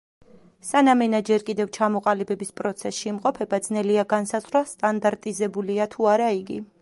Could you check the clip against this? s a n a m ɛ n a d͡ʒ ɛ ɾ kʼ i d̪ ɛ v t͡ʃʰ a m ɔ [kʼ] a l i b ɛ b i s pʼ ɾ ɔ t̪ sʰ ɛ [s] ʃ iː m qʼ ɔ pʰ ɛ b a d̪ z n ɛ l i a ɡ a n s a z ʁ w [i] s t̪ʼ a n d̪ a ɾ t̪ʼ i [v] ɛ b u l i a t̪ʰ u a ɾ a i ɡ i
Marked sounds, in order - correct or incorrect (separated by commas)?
incorrect, correct, incorrect, incorrect